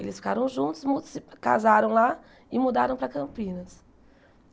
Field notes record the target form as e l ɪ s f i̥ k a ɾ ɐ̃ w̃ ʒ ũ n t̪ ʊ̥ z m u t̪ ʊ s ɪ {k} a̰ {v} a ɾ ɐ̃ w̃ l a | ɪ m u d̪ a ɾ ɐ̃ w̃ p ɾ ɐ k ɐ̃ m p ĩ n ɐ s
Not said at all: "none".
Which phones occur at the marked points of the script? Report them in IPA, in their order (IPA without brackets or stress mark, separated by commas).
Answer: k, z